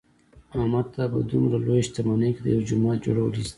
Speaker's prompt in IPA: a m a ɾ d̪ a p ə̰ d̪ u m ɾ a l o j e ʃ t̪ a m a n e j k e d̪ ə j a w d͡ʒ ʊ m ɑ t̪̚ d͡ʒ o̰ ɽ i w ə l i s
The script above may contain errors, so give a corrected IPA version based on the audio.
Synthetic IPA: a m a ɾ t̪ a p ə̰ d̪ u m ɾ a l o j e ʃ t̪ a m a n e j k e d̪ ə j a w d͡ʒ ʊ m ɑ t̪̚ d͡ʒ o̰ ɽ a w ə l i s